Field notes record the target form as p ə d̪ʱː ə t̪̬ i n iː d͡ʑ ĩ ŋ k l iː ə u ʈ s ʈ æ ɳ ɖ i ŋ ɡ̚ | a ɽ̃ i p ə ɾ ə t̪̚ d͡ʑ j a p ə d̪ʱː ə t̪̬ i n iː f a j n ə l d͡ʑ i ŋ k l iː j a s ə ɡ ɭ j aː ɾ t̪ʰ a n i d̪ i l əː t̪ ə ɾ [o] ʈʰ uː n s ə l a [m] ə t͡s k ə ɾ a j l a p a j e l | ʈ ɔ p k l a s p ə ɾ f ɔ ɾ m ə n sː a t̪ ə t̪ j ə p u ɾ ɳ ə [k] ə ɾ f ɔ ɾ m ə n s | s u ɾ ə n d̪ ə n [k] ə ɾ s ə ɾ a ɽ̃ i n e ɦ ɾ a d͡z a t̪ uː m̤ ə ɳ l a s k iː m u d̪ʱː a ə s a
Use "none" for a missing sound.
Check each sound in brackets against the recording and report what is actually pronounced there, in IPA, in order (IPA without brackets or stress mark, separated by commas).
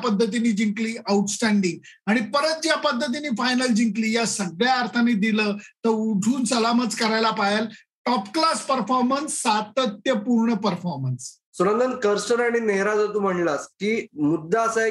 u, m, p, k